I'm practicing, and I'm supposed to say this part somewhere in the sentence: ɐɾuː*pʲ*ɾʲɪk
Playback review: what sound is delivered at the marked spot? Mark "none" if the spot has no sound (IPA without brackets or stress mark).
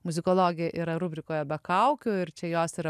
bʲ